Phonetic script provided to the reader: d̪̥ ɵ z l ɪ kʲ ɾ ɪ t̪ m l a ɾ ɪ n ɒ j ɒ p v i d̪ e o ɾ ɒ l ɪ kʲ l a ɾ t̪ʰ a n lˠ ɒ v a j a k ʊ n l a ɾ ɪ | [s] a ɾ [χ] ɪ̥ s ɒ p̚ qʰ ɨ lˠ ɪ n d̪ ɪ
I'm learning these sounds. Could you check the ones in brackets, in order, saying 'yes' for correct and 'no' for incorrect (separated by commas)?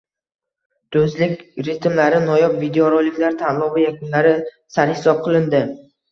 yes, no